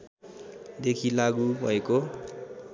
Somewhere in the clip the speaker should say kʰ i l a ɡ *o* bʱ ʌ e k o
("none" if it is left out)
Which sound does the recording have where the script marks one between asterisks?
u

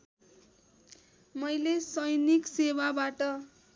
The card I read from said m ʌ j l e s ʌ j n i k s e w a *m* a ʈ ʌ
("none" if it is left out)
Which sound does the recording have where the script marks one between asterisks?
b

